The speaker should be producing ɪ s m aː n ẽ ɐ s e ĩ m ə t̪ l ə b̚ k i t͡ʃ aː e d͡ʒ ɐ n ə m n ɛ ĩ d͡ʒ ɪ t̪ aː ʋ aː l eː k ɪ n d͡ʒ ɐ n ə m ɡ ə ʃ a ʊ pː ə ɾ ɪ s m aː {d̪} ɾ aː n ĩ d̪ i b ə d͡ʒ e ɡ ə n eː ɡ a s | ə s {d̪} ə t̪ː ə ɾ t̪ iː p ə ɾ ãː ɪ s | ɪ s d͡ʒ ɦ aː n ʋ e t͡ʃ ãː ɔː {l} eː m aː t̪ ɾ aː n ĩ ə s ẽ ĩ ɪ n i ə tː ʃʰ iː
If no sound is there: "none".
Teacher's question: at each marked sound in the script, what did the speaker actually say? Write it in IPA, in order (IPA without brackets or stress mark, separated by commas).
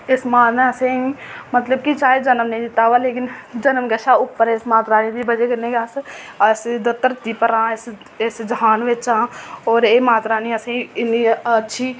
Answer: t̪, d̪, ɾ